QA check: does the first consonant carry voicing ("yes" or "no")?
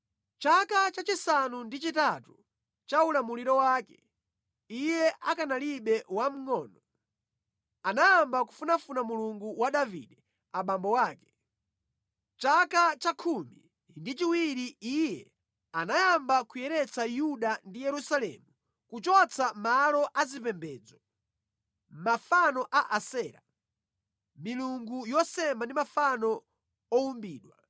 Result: no